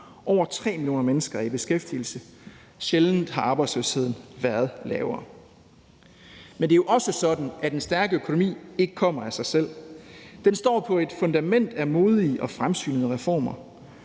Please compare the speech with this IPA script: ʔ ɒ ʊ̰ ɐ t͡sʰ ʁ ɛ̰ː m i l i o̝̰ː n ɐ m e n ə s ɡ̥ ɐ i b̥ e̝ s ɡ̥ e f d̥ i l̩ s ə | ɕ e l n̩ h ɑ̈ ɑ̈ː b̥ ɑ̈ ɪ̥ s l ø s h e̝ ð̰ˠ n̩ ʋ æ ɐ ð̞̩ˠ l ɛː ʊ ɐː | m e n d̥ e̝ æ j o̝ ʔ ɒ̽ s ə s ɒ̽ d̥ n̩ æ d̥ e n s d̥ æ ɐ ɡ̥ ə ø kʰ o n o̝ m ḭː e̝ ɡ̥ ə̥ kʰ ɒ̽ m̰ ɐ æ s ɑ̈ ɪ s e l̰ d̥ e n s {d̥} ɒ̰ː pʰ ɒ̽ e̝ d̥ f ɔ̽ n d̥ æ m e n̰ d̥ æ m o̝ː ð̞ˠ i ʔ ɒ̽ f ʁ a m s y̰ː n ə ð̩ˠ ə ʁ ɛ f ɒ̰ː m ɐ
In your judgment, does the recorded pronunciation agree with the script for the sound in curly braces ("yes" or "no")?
yes